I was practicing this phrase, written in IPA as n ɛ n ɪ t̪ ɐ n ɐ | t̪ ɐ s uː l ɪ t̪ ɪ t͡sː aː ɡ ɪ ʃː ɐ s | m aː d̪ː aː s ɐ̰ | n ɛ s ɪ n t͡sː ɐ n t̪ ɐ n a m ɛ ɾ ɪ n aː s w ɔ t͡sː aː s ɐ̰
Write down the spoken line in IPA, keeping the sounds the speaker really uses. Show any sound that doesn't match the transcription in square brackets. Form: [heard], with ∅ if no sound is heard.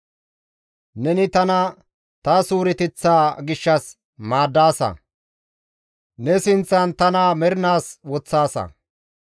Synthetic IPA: n ɛ n ɪ t̪ ɐ n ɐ | t̪ ɐ s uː [ɾ] ɪ t̪ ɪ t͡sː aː ɡ ɪ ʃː ɐ s | m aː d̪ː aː s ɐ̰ | n ɛ s ɪ n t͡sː ɐ n t̪ ɐ n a m ɛ ɾ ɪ n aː s w ɔ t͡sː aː s ɐ̰